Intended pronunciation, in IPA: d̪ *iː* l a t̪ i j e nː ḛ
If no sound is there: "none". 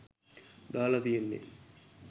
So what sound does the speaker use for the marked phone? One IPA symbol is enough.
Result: aː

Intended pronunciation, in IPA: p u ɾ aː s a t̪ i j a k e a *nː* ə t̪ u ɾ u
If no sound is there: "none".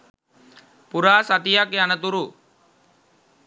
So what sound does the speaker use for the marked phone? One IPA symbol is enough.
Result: n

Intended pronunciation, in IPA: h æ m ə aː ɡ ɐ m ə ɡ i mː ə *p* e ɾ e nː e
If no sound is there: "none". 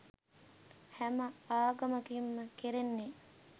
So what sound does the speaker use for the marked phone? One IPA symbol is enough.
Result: k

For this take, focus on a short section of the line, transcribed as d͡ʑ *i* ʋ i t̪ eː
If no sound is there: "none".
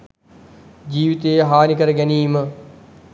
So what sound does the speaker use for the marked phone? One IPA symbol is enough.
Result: iː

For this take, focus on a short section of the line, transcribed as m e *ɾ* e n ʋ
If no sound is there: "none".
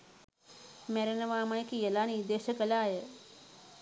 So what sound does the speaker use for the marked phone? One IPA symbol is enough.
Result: ɾ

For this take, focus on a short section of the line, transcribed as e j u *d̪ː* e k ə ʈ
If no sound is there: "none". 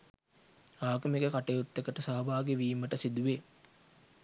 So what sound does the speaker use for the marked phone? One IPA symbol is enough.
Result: t̪ː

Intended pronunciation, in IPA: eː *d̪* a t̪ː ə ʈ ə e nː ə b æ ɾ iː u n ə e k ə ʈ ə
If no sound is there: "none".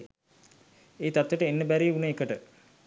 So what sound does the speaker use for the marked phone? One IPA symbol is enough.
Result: t̪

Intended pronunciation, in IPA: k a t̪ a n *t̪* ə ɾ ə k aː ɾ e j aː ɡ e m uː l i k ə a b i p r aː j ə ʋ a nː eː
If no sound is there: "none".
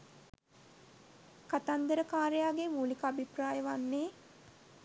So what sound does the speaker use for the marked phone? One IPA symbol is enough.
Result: d̪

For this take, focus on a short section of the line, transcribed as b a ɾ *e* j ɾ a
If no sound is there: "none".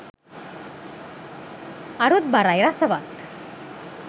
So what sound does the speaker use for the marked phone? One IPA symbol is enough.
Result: a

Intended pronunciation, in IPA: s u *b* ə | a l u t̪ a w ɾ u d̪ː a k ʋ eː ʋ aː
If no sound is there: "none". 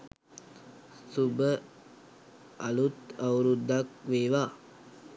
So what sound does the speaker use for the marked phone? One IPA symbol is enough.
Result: b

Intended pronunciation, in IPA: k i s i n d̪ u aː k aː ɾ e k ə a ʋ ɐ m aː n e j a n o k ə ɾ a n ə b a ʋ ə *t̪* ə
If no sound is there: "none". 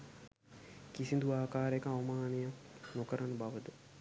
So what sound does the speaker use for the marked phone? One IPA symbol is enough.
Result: d̪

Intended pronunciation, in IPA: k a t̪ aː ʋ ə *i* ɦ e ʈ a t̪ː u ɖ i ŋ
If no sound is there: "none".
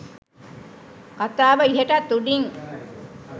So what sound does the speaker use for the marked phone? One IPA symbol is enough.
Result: i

